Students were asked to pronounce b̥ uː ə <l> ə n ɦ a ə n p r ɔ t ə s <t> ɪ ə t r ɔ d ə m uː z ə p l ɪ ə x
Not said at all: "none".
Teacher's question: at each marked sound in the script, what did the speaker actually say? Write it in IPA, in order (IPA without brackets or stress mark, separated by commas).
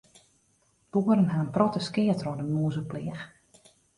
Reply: ɾ, k